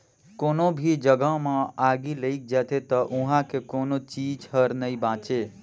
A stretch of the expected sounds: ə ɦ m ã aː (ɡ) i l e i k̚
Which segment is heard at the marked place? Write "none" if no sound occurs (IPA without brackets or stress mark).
ɡ